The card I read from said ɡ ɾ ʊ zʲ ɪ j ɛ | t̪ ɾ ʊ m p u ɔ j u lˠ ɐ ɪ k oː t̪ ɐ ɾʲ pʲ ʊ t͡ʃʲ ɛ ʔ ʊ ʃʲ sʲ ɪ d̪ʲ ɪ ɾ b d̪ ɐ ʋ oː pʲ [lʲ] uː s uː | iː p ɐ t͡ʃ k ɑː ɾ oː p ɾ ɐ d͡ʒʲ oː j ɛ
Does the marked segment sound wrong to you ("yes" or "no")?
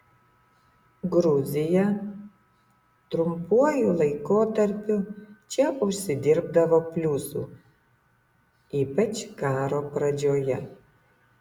no